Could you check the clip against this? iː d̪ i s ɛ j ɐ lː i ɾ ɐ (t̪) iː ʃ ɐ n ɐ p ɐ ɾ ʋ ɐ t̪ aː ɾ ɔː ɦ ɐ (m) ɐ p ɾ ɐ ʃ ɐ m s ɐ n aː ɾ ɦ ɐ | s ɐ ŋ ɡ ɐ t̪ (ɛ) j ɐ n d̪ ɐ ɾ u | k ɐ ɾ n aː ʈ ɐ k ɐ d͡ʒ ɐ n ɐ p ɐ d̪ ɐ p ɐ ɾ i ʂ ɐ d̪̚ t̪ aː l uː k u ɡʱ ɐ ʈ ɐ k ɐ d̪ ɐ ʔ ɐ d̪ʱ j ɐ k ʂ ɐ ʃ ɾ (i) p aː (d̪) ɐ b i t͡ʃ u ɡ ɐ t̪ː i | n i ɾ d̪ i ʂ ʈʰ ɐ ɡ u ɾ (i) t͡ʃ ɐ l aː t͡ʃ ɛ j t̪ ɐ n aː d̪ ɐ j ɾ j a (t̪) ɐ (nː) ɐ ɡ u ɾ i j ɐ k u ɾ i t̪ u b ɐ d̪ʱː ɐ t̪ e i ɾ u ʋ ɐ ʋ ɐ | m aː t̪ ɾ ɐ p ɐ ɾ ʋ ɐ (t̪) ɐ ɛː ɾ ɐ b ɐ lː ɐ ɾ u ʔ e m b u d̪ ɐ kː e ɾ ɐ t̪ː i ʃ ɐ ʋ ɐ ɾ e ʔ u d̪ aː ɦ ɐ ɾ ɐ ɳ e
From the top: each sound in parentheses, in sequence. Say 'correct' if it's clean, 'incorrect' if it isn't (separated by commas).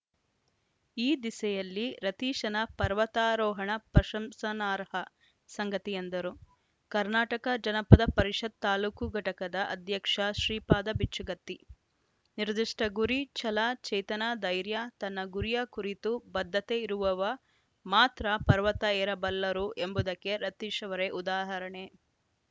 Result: correct, incorrect, incorrect, incorrect, correct, correct, correct, correct, correct